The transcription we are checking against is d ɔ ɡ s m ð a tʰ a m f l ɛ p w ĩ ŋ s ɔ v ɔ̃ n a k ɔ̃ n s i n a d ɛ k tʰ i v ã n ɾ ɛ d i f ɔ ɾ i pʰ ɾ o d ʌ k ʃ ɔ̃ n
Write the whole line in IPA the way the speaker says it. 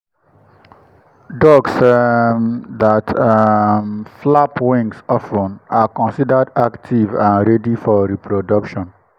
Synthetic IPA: d ɔ ɡ s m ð a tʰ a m f l a p w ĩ ŋ s ɔ f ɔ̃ n a k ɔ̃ n s i d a d a k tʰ i v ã n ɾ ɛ d i f ɔ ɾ i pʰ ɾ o d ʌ k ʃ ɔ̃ n